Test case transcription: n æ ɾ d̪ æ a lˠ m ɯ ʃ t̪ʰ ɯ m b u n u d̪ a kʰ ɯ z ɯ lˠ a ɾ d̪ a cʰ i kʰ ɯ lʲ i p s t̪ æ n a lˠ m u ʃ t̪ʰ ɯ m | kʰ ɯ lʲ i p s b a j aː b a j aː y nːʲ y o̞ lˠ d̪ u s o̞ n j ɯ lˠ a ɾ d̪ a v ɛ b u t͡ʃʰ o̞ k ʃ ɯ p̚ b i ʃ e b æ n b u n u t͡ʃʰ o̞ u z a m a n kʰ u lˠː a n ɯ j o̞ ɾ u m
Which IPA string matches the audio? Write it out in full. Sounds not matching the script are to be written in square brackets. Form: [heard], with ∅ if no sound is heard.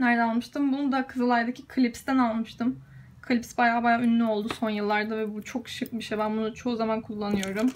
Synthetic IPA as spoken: n æ ɾ d̪ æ a lˠ m ɯ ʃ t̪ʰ ɯ m b u n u d̪ a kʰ ɯ z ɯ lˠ a ɾ d̪ a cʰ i kʰ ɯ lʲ i p s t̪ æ n a lˠ m [ɯ] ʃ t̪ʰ ɯ m | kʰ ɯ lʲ i p s b a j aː b a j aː y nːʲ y o̞ lˠ d̪ u s o̞ n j ɯ [lˠː] a ɾ d̪ a v ɛ b u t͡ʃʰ o̞ k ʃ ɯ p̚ b i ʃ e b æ n b u n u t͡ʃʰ o̞ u z a m a n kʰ u lˠː a n ɯ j o̞ ɾ u m